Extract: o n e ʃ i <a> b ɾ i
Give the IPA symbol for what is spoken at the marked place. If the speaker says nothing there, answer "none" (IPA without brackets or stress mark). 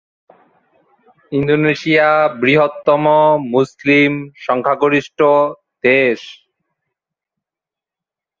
a